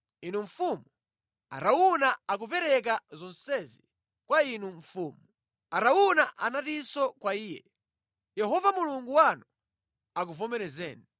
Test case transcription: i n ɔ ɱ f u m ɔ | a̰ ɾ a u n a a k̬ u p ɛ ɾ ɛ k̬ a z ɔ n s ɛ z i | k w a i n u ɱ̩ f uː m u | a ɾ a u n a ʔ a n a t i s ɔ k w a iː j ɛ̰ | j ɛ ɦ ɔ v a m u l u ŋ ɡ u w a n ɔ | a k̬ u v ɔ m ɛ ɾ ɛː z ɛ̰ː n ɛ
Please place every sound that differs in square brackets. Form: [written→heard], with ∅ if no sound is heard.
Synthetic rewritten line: i n [ɔ→u] ɱ f u m [ɔ→u] | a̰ ɾ a u n a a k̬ u p ɛ ɾ ɛ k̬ a z ɔ n s ɛ z i | k w a i n u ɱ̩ f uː m u | a ɾ a u n a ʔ a n a t i s ɔ k w a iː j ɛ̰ | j ɛ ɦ ɔ v a m u l u ŋ ɡ u w a n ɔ | a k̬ u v ɔ m ɛ ɾ [ɛː→ɛ] z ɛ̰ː n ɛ